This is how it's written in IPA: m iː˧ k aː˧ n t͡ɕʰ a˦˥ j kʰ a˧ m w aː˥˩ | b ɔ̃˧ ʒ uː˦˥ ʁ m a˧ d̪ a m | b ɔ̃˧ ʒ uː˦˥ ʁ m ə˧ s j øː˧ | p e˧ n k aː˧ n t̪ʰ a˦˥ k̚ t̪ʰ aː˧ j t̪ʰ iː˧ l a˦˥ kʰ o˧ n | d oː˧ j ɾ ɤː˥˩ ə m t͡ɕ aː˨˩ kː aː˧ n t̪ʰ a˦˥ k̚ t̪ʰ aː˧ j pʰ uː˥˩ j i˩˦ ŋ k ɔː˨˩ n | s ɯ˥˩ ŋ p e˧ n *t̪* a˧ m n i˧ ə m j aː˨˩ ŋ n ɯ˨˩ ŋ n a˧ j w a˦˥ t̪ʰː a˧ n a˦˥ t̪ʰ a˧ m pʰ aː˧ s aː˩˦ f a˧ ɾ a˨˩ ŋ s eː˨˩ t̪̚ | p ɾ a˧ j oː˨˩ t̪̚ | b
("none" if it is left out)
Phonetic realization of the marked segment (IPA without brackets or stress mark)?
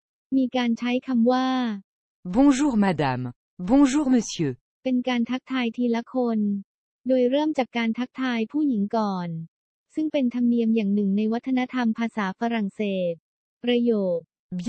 t̪ʰ